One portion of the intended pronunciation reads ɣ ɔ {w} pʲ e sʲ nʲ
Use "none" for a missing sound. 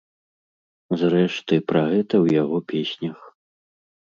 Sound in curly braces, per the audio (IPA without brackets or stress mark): none